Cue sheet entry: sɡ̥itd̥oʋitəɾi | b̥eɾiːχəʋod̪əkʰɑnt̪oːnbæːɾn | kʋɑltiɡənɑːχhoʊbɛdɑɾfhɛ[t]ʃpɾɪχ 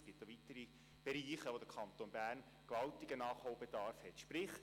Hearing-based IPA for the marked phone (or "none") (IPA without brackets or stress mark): t